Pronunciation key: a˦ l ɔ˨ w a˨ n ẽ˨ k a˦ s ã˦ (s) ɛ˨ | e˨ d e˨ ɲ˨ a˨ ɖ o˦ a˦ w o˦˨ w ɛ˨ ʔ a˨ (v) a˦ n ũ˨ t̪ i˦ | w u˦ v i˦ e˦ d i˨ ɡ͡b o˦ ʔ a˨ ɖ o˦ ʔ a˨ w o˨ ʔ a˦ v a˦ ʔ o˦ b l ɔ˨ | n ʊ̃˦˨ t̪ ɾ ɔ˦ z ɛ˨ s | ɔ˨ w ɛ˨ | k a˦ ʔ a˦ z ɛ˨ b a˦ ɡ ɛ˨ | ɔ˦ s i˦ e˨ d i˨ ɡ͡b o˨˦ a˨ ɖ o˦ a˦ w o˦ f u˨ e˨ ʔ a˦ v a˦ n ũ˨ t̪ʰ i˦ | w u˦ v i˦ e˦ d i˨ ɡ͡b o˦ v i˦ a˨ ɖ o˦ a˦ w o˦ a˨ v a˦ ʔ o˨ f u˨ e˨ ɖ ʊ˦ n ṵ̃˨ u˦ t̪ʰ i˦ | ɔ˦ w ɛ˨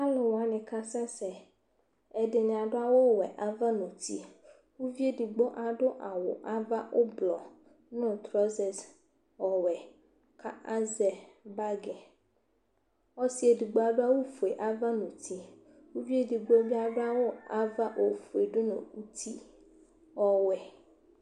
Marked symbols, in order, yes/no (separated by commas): yes, yes